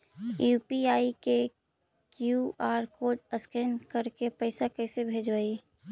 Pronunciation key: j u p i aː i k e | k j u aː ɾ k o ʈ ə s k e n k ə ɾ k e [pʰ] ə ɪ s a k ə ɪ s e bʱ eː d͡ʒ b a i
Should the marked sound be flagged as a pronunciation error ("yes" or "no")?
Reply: yes